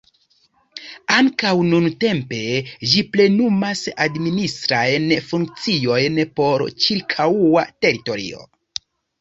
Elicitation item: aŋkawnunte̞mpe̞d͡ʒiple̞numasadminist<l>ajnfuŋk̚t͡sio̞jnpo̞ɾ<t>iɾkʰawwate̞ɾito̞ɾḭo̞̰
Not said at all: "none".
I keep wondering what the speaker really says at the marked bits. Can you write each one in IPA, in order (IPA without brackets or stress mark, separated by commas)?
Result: ɾ, t͡ʃ